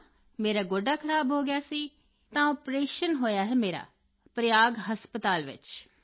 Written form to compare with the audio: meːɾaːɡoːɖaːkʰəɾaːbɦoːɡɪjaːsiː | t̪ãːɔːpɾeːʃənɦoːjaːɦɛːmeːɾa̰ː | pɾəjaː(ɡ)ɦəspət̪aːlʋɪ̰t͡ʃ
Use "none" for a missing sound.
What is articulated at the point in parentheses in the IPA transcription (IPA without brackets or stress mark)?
ɡ